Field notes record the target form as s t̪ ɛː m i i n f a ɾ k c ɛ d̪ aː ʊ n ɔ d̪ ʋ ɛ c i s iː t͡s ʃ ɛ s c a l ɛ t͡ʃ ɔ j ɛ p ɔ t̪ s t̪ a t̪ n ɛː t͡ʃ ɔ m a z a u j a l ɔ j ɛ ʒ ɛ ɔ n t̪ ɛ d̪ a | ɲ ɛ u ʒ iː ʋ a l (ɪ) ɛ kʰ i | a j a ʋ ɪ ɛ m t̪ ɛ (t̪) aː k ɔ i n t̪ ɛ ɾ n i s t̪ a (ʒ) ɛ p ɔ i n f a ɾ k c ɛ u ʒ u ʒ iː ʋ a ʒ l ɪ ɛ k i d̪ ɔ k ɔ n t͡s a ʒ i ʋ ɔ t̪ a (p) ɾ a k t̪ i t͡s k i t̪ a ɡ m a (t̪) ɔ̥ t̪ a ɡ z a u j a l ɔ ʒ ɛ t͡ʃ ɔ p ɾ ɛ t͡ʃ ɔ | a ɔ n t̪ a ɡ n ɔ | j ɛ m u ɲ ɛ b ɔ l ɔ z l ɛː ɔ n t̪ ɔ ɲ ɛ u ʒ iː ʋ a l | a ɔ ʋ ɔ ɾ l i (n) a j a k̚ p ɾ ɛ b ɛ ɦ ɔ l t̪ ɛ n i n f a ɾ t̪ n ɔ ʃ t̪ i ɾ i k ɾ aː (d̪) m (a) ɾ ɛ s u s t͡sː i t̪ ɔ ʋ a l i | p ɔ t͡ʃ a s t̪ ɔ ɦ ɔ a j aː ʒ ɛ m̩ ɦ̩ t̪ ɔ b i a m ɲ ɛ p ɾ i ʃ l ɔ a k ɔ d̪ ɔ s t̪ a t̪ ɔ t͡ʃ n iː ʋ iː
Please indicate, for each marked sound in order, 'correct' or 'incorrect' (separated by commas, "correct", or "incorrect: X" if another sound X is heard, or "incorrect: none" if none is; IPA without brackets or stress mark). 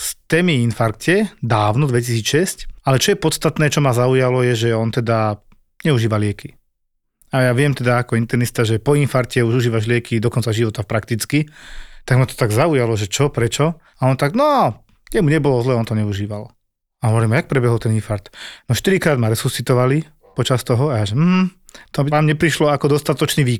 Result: correct, incorrect: d̪, correct, correct, correct, incorrect: m, correct, correct